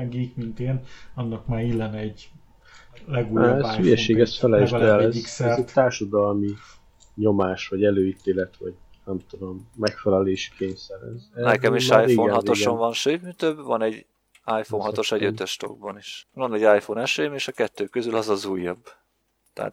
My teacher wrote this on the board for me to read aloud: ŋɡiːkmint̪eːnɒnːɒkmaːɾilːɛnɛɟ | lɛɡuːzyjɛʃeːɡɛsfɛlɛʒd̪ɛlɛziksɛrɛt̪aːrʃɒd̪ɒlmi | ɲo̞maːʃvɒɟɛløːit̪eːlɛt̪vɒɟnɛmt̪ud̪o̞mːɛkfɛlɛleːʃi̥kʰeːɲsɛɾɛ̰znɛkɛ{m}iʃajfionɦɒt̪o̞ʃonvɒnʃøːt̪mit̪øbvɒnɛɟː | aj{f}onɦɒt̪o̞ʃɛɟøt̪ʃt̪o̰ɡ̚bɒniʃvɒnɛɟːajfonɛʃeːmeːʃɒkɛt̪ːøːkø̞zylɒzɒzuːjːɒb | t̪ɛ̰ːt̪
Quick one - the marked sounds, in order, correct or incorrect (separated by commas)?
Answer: correct, correct